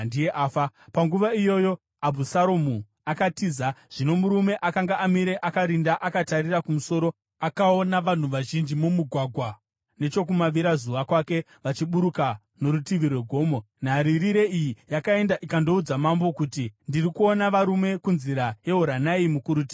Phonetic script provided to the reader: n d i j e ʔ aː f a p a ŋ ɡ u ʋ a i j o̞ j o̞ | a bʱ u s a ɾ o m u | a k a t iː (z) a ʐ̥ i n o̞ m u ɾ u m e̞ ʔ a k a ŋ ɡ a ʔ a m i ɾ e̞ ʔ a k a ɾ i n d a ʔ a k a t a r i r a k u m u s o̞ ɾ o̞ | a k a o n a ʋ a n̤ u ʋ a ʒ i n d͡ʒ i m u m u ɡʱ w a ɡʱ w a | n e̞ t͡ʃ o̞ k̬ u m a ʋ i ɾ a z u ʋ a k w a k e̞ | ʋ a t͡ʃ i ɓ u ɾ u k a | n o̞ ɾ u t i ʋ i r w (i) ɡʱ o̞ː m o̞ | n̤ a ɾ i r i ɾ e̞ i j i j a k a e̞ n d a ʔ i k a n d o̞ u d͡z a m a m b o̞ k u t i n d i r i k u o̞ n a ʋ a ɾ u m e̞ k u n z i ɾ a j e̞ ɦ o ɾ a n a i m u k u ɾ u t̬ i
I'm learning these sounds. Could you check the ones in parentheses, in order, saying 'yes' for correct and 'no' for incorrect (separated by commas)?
yes, no